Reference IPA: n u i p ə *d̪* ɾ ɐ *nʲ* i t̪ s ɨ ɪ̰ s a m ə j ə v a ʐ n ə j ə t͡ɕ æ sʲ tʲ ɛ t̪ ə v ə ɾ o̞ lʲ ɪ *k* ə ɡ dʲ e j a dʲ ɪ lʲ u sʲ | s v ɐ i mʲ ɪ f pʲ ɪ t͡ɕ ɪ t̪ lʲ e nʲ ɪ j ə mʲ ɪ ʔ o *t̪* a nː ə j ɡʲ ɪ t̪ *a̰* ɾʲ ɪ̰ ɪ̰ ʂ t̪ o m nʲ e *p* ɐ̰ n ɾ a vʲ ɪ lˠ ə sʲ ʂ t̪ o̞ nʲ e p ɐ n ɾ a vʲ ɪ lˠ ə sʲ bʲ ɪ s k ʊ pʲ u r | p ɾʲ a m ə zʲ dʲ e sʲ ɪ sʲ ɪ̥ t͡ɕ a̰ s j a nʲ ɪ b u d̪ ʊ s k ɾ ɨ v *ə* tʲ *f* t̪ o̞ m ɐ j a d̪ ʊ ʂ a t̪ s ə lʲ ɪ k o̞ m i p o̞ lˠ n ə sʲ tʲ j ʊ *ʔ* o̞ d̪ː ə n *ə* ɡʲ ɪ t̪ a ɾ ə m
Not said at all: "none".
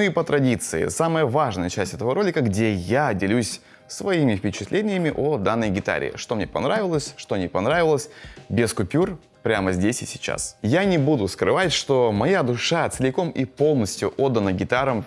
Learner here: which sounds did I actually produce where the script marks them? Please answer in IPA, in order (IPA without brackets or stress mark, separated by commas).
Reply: t̪, dʲ, k, d̪, a̰, p, a, ʂ, ʔ, ə